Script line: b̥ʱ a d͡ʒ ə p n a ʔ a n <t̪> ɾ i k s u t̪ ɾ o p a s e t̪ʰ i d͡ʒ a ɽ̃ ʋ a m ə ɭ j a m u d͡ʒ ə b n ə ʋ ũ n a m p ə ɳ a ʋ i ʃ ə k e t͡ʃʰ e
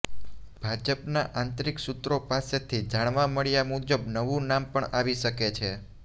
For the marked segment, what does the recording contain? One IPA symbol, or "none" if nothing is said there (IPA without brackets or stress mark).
t̪